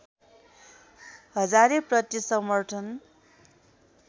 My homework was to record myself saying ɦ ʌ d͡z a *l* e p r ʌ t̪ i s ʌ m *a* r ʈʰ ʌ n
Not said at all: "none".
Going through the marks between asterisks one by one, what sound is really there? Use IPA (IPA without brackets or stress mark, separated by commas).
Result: ɾ, ʌ